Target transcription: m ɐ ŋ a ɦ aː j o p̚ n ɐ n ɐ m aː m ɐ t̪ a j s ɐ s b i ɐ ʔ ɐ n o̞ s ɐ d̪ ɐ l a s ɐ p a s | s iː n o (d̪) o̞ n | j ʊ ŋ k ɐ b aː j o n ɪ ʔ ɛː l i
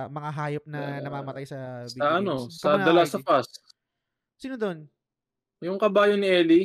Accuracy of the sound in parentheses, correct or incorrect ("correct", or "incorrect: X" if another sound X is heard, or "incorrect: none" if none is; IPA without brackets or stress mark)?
correct